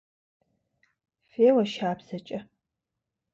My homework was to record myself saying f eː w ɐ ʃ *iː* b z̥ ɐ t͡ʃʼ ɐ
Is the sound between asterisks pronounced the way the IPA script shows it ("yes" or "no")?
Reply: no